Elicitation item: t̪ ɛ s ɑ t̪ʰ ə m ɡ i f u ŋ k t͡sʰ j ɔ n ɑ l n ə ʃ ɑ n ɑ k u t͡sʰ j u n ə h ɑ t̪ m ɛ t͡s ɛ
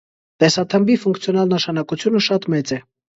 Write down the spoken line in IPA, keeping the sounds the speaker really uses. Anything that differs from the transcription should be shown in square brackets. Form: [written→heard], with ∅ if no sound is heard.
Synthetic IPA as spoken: t̪ ɛ s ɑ t̪ʰ ə m [ɡ→b] i f u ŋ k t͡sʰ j ɔ n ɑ l n ə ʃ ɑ n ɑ k u t͡sʰ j u n ə [h→ʃ] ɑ t̪ m ɛ t͡s ɛ